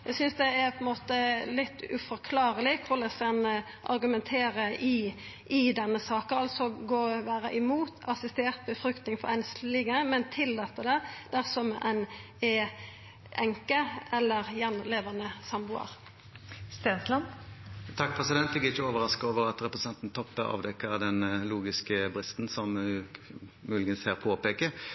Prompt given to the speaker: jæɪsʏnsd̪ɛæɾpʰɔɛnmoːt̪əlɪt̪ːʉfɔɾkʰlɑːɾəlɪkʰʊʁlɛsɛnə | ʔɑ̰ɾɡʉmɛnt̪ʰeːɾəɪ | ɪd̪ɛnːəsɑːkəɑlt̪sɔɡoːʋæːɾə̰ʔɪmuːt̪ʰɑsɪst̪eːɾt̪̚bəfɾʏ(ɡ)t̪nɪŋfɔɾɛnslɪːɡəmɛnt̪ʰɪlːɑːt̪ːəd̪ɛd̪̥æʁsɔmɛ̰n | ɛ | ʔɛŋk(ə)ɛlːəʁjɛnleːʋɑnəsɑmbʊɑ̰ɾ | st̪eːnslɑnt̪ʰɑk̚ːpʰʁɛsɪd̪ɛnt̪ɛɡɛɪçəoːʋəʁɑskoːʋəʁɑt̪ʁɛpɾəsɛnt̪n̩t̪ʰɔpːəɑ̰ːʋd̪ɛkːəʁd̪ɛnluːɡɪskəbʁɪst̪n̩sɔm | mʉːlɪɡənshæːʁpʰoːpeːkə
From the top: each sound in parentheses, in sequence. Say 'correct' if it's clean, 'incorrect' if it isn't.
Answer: incorrect: k, correct

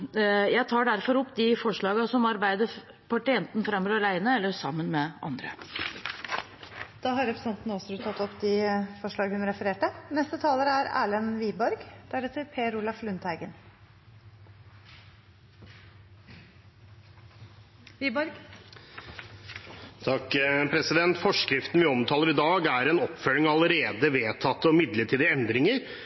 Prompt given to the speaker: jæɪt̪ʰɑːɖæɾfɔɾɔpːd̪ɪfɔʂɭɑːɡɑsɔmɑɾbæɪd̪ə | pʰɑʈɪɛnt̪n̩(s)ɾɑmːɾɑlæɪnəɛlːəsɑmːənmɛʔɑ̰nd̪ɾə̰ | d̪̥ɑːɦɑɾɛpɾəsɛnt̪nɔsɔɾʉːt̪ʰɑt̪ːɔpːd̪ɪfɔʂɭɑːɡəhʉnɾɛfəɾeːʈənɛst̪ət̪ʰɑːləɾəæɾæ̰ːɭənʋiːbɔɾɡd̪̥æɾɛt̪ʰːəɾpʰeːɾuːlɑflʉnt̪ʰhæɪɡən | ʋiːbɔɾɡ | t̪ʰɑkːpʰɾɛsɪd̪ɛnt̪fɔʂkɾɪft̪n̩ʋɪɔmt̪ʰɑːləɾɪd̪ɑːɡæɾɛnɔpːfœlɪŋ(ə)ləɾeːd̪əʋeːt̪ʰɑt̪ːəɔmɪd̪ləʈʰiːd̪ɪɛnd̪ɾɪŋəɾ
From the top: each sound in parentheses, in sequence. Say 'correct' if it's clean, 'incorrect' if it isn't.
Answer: incorrect: f, incorrect: ɑ

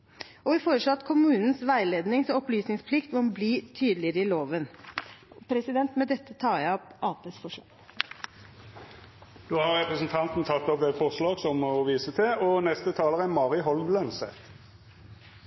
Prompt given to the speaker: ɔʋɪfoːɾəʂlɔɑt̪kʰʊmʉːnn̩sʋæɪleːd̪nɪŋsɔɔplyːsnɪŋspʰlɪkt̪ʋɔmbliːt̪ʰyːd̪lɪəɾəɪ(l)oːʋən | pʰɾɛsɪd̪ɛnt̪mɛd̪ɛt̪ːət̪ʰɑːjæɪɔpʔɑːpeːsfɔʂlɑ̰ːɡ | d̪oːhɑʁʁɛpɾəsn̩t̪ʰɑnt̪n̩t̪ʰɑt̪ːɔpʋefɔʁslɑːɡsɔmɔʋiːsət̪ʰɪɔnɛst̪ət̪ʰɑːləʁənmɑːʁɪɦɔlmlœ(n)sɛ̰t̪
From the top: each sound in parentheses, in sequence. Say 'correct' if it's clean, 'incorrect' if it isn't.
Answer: correct, correct

